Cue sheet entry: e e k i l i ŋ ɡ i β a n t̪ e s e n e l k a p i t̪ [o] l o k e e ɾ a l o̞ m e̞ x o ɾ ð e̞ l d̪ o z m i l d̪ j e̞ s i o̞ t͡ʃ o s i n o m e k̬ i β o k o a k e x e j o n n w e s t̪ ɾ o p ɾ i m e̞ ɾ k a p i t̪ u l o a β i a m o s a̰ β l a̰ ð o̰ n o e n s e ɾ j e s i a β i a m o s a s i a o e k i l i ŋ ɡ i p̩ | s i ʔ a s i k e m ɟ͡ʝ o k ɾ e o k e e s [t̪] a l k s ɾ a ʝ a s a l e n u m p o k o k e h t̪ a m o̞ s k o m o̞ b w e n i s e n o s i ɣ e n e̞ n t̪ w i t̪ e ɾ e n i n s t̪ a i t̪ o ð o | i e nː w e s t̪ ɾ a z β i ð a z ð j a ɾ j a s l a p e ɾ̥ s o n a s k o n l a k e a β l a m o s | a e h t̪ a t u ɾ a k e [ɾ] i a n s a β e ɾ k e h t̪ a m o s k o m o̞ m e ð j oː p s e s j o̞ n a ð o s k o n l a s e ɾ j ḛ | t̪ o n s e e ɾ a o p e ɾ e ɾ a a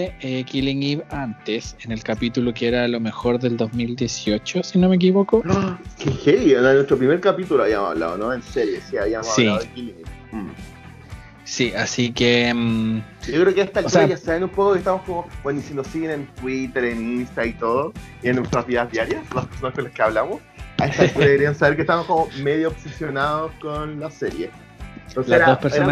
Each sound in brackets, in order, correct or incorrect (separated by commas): incorrect, correct, correct